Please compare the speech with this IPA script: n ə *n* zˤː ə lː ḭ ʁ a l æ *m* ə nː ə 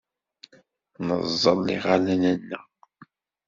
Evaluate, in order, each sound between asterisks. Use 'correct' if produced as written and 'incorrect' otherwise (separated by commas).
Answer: incorrect, incorrect